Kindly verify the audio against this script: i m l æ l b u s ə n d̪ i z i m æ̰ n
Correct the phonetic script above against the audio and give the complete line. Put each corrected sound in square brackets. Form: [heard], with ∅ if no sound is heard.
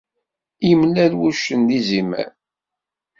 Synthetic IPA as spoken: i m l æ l [w] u [ʃ] ə n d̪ i z i m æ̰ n